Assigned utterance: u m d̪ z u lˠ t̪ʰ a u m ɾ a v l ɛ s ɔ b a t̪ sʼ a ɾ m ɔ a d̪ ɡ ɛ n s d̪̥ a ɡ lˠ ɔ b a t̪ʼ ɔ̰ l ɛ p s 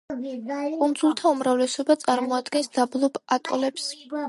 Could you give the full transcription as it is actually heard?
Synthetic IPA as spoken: u n d̪ z u lˠ t̪ʰ a u m ɾ a v l ɛ s ɔ b a t̪ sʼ a ɾ m ɔ a d̪ ɡ ɛ n s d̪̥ a b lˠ ɔ b a t̪ʼ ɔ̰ l ɛ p s